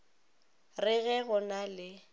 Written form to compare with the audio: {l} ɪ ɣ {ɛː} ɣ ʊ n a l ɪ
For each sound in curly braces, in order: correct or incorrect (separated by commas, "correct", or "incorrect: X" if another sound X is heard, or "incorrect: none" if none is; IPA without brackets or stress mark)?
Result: incorrect: r, incorrect: ɛ